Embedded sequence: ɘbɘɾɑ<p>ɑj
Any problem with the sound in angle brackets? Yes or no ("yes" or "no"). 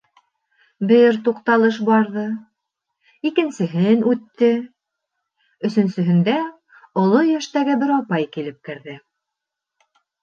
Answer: no